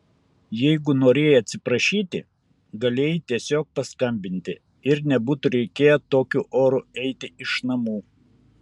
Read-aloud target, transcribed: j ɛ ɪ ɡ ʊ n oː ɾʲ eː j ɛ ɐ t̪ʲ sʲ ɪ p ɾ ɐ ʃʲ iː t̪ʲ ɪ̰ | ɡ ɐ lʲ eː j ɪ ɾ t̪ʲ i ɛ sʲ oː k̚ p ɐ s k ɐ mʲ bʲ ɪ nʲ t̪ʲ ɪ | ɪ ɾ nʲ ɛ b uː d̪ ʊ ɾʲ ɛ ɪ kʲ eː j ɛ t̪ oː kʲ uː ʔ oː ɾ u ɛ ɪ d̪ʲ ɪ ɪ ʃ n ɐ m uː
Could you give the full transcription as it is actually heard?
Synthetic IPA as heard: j ɛ ɪ ɡ ʊ n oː ɾʲ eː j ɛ ɐ t̪ʲ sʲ ɪ p ɾ ɐ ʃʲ iː t̪ʲ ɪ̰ | ɡ ɐ lʲ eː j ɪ t̪ʲ i ɛ sʲ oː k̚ p ɐ s k ɐ mʲ bʲ ɪ nʲ t̪ʲ ɪ | ɪ ɾ nʲ ɛ b uː t̪ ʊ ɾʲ ɛ ɪ kʲ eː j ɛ t̪ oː kʲ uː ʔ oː ɾ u ɛ ɪ t̪ʲ ɪ ɪ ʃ n ɐ m uː